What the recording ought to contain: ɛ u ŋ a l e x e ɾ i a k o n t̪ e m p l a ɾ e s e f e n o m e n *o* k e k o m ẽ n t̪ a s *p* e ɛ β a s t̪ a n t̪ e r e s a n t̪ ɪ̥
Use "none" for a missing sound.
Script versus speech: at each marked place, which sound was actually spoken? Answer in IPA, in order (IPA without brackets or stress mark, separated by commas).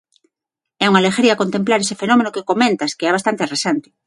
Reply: o, k